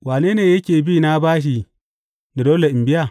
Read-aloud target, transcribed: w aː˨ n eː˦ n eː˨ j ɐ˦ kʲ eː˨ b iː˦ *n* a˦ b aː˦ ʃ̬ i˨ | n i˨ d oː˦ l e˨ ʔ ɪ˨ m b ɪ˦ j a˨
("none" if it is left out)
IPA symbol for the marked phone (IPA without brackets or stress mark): n